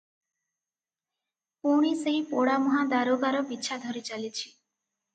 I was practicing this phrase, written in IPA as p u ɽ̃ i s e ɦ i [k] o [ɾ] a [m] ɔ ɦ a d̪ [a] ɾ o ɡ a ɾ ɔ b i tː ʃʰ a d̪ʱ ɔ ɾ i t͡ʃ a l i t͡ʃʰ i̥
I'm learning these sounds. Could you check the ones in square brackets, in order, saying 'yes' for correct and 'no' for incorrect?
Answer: no, no, yes, yes

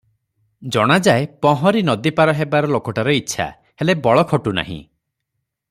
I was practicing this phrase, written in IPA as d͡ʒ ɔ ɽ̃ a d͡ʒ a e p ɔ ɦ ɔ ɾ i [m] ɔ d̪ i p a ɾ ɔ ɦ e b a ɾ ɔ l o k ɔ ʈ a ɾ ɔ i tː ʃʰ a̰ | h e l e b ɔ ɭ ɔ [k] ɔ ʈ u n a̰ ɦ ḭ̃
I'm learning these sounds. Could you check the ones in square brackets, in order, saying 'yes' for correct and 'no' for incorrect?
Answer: no, no

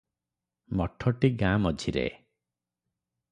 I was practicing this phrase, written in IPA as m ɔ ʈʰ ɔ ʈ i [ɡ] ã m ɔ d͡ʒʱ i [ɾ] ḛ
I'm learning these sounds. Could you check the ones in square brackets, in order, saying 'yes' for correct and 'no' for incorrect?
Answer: yes, yes

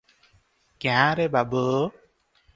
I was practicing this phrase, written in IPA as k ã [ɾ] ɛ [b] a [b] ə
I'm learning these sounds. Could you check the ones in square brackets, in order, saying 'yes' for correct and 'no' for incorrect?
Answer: yes, yes, yes

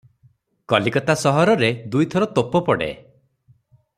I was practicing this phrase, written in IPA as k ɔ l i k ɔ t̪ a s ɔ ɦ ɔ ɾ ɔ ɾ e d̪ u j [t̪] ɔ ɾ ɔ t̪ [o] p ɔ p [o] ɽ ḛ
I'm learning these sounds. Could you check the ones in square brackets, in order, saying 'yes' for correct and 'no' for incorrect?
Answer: no, yes, no

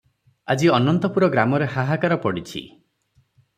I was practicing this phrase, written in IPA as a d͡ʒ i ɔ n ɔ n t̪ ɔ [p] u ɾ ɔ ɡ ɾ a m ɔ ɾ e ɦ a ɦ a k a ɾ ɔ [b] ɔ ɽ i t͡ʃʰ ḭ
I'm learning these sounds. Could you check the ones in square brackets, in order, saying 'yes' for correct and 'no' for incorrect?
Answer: yes, no

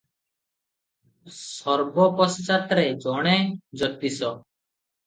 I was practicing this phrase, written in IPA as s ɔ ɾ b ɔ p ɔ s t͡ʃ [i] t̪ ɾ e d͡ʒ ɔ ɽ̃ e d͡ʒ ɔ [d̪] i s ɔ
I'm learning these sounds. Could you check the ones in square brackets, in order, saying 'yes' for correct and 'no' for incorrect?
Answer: no, no

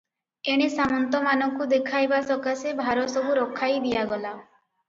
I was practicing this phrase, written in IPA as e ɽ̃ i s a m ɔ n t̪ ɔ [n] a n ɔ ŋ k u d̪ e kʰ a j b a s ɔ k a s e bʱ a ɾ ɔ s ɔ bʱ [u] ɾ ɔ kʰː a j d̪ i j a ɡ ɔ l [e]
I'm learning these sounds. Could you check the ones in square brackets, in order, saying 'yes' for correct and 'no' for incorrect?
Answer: no, yes, no

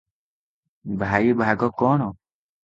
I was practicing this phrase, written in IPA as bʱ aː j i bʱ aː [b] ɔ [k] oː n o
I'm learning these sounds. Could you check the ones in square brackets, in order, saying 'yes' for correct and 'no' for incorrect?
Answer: no, yes

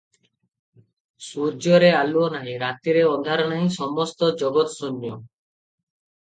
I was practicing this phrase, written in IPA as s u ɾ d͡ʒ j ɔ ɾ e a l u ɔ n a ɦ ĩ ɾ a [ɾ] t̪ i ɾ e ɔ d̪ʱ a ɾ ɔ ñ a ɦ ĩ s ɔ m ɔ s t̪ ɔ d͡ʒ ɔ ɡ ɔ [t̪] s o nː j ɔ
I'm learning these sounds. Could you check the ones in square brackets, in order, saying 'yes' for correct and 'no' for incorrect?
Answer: no, yes

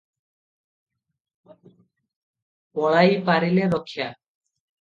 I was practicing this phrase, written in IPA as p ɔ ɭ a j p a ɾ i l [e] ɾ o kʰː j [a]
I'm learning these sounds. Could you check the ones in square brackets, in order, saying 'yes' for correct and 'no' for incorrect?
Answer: yes, yes

